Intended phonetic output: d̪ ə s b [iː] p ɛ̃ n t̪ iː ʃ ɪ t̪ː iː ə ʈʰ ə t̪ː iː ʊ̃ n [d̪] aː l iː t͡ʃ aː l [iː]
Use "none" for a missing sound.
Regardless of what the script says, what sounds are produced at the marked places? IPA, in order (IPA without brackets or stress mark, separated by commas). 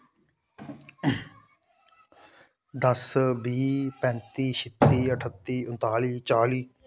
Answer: iː, t̪, iː